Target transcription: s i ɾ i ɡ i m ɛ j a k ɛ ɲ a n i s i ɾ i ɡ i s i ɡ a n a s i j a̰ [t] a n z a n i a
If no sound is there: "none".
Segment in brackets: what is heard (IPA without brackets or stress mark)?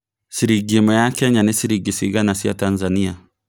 t